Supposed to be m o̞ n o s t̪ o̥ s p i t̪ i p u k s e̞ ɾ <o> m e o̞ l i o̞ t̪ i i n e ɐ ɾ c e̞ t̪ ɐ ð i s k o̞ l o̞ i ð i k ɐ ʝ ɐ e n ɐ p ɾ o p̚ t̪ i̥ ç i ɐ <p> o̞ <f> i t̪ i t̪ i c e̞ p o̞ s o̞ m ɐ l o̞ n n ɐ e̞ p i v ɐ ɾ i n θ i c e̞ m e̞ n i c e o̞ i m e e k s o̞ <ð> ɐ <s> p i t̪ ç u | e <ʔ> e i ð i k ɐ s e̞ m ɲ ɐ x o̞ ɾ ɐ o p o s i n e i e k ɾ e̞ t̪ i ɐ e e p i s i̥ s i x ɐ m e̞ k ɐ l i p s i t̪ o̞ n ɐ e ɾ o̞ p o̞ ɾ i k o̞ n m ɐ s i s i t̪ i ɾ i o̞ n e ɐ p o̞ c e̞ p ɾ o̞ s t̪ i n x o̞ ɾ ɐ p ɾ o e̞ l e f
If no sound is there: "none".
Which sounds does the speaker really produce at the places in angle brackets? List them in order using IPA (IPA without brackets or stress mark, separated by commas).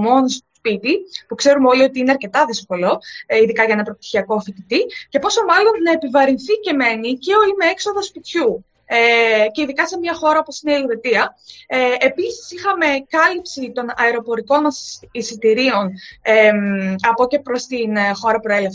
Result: u, k, f, ð, s, c